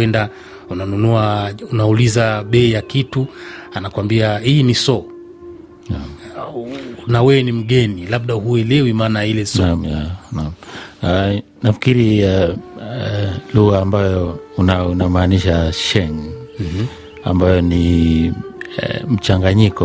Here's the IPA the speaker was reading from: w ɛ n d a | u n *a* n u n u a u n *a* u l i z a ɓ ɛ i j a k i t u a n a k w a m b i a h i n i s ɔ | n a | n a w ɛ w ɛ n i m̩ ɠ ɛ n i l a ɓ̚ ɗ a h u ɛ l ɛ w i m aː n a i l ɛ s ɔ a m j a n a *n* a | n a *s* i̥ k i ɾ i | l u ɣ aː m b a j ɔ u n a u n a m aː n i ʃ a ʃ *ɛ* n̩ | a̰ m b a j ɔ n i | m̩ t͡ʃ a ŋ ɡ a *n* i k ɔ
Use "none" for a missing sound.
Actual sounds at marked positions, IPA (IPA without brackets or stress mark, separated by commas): a, a, m, f, ɛ, ɲ